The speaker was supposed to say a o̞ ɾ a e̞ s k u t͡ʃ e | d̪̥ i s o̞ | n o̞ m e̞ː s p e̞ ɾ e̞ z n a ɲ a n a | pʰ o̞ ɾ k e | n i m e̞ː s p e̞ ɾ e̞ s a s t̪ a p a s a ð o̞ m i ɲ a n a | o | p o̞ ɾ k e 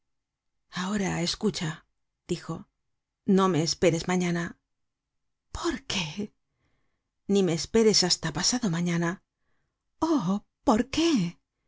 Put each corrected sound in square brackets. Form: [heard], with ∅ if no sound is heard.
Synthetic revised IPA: a o̞ ɾ a e̞ s k u t͡ʃ [a] | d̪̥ i [x] o̞ | n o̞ m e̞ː s p e̞ ɾ e̞ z [m] a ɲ a n a | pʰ o̞ ɾ k e | n i m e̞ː s p e̞ ɾ e̞ s a s t̪ a p a s a ð o̞ m [a] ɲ a n a | o | p o̞ ɾ k e